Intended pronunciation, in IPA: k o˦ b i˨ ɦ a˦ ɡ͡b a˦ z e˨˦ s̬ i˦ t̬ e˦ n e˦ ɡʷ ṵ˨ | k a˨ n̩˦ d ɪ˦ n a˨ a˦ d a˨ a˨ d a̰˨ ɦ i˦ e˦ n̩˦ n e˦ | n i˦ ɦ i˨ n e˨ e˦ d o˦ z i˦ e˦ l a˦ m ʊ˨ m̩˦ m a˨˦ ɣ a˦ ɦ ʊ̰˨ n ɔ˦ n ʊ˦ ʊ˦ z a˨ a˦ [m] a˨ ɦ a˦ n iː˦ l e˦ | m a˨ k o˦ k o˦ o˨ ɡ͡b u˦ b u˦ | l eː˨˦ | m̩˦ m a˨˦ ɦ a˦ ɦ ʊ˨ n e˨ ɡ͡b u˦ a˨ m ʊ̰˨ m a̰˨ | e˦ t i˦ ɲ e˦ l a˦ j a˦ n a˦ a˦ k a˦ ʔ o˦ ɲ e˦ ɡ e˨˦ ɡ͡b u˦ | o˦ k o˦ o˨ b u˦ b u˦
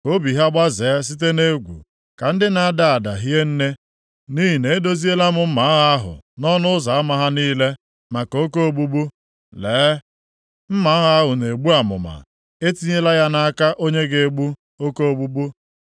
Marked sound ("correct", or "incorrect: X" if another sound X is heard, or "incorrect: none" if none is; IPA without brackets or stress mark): correct